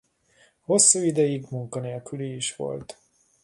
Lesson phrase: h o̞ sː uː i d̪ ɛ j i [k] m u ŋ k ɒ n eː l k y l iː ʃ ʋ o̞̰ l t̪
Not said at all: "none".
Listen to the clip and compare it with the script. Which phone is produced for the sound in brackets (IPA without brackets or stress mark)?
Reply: ɡ